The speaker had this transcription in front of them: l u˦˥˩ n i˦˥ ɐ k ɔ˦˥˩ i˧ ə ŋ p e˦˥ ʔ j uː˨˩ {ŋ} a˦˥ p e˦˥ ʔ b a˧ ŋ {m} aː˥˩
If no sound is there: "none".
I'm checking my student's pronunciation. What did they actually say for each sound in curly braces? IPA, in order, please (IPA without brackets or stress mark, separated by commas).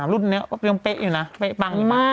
n, m